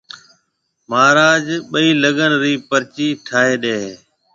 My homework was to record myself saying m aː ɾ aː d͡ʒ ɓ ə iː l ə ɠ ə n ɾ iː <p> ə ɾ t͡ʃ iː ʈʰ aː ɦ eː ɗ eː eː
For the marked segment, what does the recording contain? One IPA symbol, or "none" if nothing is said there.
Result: p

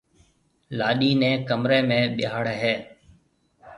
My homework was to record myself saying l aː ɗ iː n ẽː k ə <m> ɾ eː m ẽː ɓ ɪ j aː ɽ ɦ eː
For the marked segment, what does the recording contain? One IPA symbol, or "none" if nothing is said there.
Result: m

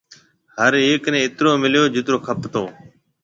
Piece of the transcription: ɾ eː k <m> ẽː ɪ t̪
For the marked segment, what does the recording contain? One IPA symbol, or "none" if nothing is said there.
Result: n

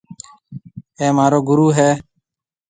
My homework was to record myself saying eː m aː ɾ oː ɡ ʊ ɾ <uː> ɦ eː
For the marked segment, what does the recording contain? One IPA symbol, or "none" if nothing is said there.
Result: uː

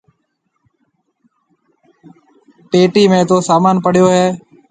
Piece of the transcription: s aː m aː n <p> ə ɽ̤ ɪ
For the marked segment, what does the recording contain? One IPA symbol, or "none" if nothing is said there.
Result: p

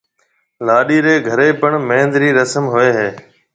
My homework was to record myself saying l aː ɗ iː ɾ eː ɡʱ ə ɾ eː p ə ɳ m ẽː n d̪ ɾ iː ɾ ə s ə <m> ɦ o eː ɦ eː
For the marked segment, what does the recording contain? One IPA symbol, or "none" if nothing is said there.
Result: m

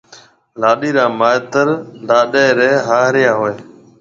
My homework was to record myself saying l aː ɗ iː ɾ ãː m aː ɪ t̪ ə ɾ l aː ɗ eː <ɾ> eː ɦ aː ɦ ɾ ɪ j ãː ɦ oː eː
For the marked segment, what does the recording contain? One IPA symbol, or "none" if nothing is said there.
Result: ɾ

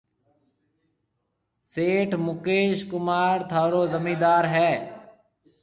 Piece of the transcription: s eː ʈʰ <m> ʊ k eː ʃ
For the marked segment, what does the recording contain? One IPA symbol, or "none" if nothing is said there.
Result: m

